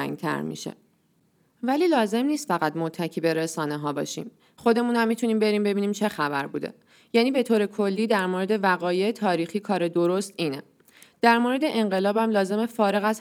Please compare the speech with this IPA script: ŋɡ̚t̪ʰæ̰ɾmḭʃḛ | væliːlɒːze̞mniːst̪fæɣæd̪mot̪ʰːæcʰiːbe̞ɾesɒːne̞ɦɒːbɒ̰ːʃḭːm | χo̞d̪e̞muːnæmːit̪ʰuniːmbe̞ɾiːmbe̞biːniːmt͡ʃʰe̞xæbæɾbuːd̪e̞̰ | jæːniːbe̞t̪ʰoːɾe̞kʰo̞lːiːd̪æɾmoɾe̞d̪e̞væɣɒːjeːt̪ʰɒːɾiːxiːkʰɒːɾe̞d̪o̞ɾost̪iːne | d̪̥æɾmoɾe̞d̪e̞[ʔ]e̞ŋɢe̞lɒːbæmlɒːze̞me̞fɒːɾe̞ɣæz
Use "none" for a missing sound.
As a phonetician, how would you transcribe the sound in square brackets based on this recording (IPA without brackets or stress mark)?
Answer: ʔ